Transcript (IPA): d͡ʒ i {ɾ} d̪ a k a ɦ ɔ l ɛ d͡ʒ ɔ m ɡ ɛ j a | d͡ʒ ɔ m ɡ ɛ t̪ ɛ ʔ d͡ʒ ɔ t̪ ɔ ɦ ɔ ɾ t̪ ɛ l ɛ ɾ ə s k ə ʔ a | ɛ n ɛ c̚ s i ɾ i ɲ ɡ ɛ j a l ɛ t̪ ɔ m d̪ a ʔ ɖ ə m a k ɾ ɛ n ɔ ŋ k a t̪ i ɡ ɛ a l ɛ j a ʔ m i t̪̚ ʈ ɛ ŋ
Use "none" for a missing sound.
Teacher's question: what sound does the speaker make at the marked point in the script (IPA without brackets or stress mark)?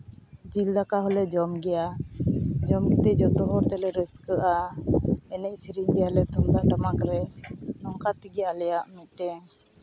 l